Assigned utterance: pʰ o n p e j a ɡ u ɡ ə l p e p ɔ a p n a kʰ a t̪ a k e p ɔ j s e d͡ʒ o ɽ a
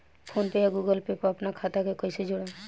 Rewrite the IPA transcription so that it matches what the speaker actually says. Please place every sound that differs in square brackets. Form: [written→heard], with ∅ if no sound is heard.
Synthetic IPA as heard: pʰ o n p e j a ɡ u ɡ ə l p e p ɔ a p n a kʰ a t̪ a k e [p→k] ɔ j s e d͡ʒ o ɽ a